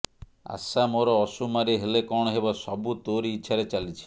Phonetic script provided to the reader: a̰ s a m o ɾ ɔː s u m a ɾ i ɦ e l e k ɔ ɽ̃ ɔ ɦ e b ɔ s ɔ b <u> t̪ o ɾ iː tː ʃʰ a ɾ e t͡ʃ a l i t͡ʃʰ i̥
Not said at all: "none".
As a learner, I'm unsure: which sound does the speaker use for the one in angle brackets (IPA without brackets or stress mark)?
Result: u